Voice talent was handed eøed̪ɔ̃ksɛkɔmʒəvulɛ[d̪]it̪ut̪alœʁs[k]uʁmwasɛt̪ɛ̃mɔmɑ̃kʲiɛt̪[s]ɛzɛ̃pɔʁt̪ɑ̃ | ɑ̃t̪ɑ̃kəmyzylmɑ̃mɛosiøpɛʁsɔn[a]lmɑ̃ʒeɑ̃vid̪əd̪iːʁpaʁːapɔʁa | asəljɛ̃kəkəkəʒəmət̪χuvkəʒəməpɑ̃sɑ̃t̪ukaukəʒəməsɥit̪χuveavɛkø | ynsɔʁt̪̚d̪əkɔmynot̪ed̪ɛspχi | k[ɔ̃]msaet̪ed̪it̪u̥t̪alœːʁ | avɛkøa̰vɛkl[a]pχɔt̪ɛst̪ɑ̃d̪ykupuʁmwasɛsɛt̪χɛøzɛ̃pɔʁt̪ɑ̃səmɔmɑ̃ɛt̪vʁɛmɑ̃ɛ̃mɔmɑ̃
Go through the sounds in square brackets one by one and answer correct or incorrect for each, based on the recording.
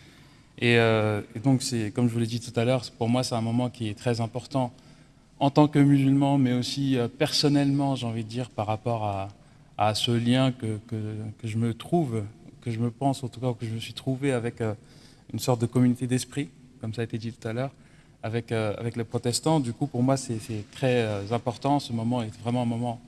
correct, incorrect: p, incorrect: χ, incorrect: ɛ, incorrect: ɔ, incorrect: ə

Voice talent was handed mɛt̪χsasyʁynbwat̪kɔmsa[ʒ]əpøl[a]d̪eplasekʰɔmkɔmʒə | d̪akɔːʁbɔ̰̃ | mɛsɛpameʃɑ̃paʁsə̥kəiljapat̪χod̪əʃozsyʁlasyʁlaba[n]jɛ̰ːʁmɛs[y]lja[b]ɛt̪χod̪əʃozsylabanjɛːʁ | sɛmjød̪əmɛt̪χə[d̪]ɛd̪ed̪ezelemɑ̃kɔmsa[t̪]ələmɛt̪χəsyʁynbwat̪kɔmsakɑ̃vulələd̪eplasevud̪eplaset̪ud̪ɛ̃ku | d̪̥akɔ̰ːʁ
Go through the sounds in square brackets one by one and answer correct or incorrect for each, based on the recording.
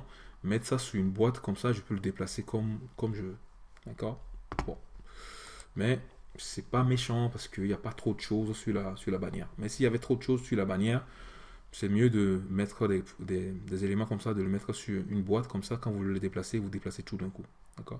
correct, incorrect: ə, correct, incorrect: i, incorrect: v, correct, incorrect: d̪

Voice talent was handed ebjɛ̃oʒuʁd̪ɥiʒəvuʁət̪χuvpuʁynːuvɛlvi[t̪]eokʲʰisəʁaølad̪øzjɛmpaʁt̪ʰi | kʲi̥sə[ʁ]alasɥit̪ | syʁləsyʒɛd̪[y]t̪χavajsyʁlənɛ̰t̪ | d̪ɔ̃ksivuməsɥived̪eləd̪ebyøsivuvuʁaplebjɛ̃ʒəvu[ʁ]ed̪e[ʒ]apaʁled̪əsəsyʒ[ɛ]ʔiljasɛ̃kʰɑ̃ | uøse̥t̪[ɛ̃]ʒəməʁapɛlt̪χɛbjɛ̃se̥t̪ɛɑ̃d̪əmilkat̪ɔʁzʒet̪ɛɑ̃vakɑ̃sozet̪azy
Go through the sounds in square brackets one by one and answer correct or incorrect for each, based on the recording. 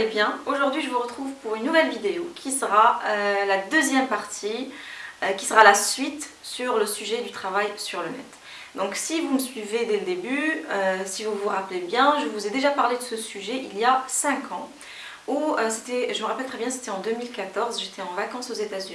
incorrect: d̪, correct, correct, incorrect: z, correct, correct, incorrect: ɛ

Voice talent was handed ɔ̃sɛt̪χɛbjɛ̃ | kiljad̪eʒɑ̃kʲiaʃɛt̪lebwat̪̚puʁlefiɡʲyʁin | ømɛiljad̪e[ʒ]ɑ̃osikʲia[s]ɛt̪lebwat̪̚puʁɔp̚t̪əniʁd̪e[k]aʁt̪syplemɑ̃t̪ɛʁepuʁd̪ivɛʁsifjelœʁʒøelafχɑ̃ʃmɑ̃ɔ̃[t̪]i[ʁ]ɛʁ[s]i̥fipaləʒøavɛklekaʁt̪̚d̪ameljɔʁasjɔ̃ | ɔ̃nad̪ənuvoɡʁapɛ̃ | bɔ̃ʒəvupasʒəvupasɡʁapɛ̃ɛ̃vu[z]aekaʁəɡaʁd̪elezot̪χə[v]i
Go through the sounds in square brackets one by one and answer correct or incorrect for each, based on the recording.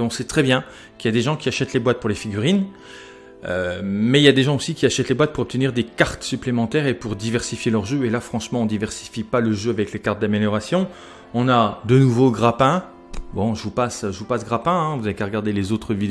correct, incorrect: ʃ, correct, incorrect: d̪, incorrect: v, correct, correct, correct

